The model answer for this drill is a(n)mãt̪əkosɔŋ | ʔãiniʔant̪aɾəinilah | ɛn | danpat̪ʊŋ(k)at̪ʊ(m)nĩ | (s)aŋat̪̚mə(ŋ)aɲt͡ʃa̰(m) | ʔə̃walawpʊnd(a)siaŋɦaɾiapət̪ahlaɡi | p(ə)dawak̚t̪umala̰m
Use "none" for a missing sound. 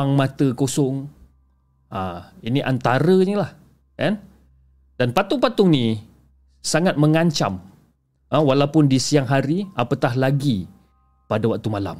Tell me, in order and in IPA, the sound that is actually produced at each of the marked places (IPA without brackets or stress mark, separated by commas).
ŋ, p, ŋ, s, ŋ, m, i, a